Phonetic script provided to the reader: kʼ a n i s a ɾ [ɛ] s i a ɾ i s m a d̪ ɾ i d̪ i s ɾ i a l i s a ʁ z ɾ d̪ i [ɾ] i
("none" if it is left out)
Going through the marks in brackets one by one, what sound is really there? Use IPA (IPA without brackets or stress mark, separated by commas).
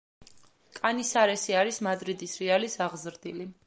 ɛ, l